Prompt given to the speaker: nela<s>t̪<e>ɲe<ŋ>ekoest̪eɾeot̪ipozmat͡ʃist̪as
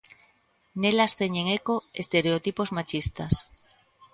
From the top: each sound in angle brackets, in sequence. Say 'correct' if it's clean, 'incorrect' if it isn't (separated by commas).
correct, correct, correct